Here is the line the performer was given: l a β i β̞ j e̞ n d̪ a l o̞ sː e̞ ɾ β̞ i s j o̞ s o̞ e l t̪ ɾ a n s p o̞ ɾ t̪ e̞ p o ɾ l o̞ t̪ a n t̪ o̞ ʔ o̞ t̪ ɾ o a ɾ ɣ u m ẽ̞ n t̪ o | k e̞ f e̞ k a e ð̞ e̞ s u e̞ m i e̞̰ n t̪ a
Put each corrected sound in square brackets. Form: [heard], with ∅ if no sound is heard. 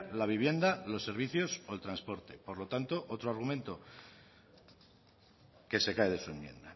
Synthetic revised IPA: l a β i β̞ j e̞ n d̪ a l o̞ sː e̞ ɾ β̞ i [θ] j o̞ s o̞ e l t̪ ɾ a n s p o̞ ɾ t̪ e̞ p o ɾ l o̞ t̪ a n t̪ o̞ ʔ o̞ t̪ ɾ o a ɾ ɣ u m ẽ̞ n t̪ o | k e̞ [s] e̞ k a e ð̞ e̞ s u e̞ m [j] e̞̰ n [d̪] a